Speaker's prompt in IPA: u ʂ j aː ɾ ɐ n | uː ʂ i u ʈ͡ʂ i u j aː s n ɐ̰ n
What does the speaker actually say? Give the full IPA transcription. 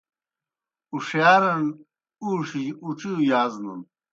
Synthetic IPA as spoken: u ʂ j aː ɾ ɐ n | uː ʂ i u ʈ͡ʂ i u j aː z n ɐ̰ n